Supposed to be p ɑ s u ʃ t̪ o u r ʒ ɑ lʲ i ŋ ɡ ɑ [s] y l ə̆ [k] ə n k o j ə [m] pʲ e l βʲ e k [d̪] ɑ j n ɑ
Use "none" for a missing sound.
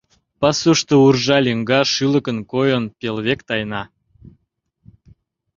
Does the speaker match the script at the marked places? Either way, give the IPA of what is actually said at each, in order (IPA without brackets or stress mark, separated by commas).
ʃ, k, n, t̪